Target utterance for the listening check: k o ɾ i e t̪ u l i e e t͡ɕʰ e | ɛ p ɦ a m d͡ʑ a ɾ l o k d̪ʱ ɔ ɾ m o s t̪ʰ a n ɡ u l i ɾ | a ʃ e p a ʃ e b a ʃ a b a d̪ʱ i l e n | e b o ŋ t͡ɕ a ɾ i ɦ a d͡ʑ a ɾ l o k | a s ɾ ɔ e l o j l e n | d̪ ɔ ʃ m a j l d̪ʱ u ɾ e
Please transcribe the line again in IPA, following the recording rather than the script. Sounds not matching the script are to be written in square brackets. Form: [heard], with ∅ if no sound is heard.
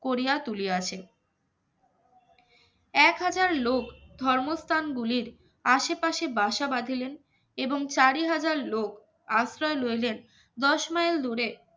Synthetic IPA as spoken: k o ɾ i [a] t̪ u l i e [a] t͡ɕʰ e | ɛ [k] ɦ a [∅] d͡ʑ a ɾ l o k d̪ʱ ɔ ɾ m o s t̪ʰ a n ɡ u l i ɾ | a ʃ e p a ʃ e b a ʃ a b a d̪ʱ i l e n | e b o ŋ t͡ɕ a ɾ i ɦ a d͡ʑ a ɾ l o k | a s ɾ ɔ e l o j l e n | d̪ ɔ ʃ m a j l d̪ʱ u ɾ e